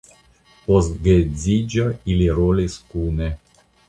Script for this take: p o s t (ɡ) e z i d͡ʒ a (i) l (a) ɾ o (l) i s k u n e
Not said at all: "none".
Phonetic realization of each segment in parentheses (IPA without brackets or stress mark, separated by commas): ɡ, i, i, l